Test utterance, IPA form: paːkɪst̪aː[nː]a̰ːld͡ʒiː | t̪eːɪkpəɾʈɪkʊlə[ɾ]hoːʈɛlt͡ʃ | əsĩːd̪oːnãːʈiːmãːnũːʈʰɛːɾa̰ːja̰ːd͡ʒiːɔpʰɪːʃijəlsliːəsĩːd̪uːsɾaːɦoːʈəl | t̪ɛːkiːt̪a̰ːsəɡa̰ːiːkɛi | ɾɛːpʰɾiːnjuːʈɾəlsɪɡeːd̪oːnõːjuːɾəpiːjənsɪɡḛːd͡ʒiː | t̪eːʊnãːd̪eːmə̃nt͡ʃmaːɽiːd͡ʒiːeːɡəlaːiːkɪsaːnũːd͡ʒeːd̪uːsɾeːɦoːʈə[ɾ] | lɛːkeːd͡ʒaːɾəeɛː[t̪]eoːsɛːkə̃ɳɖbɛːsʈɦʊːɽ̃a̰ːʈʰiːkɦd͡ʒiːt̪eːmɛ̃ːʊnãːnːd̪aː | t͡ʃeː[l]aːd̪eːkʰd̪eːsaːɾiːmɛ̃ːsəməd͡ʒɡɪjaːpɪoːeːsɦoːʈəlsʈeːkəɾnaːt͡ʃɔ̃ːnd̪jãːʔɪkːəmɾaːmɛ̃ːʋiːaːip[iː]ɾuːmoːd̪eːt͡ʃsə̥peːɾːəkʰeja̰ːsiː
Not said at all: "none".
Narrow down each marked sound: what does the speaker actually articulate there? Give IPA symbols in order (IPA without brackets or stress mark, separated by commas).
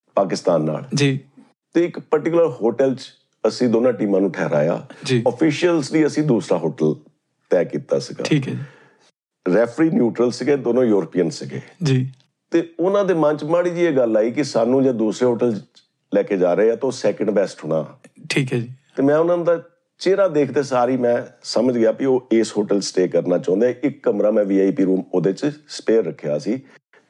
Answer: nː, ɾ, l, t̪, ɾ, iː